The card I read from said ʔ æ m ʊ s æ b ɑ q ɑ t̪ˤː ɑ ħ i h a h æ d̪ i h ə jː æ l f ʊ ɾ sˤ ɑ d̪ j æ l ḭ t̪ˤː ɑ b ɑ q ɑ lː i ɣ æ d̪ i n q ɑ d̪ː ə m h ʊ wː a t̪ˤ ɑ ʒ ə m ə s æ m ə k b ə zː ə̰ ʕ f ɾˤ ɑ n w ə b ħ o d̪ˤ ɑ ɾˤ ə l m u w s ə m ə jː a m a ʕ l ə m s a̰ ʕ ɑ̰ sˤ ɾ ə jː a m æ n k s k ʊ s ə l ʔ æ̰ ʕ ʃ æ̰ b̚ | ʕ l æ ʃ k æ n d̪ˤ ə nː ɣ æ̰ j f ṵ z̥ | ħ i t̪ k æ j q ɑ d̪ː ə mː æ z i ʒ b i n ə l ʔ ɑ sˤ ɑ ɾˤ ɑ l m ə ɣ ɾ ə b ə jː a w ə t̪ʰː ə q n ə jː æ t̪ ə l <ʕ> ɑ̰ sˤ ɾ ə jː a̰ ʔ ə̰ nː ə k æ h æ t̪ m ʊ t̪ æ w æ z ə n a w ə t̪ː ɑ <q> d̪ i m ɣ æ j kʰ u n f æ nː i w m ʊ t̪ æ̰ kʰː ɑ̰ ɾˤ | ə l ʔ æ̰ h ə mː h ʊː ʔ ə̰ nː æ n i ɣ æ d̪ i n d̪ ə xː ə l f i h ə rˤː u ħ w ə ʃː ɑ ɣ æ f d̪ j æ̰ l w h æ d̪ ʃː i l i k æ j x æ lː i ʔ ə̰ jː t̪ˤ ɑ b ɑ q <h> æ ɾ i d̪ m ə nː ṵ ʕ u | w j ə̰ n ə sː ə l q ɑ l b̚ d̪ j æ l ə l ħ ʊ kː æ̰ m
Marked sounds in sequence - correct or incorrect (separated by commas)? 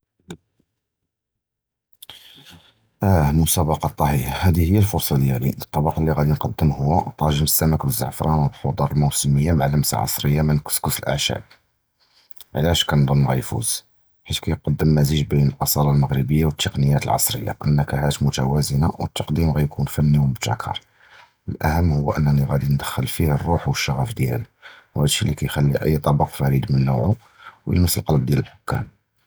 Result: correct, correct, incorrect